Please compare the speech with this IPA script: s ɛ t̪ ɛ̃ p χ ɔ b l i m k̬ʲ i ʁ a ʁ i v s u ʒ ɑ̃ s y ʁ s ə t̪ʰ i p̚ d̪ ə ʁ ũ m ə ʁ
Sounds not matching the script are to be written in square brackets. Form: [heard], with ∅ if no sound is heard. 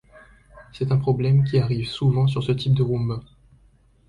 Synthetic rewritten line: s ɛ t̪ ɛ̃ p χ ɔ b l [ɛ] m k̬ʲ i [∅] a ʁ i v s u [v] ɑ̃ s y ʁ s ə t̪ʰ i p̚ d̪ ə ʁ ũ m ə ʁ